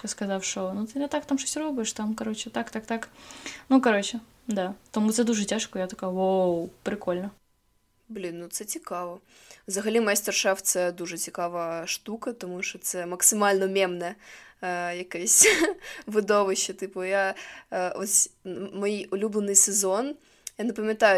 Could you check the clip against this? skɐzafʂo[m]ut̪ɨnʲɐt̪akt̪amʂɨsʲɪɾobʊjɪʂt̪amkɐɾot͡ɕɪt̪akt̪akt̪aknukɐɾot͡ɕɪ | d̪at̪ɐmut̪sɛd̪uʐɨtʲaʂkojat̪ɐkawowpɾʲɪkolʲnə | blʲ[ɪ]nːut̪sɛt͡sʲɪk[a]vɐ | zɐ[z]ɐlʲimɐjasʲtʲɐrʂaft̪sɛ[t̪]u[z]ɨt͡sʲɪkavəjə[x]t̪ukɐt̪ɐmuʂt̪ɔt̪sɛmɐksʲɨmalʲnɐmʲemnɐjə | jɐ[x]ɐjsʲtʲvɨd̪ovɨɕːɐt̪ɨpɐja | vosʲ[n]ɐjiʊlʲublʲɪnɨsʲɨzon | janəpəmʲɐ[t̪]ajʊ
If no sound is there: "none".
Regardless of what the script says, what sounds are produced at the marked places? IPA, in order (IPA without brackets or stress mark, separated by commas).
n, i, a, ɣ, d̪, ʐ, ʂ, k, m, t̪